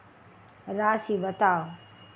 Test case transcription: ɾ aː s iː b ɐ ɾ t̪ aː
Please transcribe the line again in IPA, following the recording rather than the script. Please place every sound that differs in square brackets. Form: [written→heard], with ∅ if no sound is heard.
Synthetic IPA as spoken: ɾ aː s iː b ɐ [ɾ→∅] t̪ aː